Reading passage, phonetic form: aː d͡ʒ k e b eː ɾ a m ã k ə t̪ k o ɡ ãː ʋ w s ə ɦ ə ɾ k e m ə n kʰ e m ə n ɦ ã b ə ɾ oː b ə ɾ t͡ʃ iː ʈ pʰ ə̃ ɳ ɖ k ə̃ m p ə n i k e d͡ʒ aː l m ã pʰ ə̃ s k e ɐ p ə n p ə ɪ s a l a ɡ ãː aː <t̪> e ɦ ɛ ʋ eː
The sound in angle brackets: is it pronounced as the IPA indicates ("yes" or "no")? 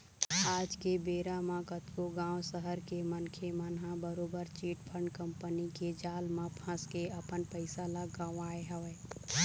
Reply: no